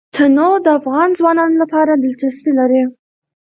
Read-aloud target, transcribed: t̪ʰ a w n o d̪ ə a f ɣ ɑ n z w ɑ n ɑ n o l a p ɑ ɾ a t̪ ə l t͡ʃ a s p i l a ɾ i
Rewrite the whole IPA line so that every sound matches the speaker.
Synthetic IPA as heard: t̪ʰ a n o d̪ ə a f ɣ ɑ n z w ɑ n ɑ n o l a p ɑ ɾ a d̪ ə l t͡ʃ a s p i l a ɾ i